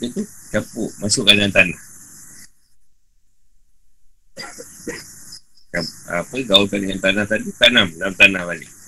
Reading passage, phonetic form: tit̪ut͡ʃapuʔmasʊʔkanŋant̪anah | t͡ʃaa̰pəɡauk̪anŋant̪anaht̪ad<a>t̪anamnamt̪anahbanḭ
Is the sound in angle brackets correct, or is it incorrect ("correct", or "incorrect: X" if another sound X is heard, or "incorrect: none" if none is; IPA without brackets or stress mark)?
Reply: incorrect: i